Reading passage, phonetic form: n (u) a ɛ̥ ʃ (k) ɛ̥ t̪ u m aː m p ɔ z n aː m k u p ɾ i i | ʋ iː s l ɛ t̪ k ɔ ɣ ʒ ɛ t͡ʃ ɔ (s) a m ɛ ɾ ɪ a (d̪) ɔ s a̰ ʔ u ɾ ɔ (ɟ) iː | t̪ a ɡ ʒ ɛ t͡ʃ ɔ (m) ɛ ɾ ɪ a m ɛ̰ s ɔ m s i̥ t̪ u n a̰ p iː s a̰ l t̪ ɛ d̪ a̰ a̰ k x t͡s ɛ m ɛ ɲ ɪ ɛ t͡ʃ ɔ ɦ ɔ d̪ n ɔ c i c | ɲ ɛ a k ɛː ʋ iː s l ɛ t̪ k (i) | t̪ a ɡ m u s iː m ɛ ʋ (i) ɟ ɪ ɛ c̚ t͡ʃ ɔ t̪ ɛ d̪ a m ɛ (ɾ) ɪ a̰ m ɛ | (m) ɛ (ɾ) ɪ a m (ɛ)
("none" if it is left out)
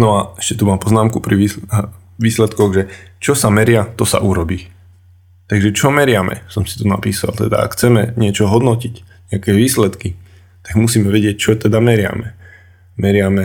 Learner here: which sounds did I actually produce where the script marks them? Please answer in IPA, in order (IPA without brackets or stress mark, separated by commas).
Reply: ɔ, c, s, t̪, b, m, i, ɛ, ɾ, m, ɾ, ɛ